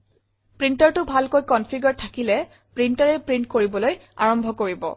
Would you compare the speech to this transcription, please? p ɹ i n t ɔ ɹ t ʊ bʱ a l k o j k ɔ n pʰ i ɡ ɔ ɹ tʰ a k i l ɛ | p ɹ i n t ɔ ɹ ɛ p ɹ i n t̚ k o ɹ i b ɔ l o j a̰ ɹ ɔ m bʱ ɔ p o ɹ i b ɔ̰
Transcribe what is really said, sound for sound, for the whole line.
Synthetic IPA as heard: p ɹ i n t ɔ ɹ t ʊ bʱ a l k o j k ɔ n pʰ i ɡ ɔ ɹ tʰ a k i l ɛ | p ɹ i n t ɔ ɹ ɛ p ɹ i n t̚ k o ɹ i b ɔ l o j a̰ ɹ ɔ m bʱ ɔ k o ɹ i b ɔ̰